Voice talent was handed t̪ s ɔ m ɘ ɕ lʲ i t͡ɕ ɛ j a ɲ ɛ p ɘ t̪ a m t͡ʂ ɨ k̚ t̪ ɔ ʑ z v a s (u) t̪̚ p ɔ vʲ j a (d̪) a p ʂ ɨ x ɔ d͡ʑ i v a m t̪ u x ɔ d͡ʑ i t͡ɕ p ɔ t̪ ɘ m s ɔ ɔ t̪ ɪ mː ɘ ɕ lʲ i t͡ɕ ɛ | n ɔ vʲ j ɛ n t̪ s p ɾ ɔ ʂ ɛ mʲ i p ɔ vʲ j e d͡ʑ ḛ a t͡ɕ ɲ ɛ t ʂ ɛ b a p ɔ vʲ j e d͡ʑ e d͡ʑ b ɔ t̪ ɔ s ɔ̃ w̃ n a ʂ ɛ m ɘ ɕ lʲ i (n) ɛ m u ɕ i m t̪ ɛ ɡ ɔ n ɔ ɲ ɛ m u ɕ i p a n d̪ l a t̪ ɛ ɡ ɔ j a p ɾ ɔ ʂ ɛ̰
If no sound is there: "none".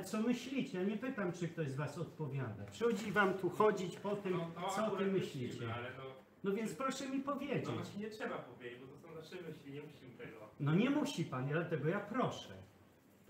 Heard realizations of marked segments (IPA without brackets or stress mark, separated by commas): ɔ, d̪, ɲ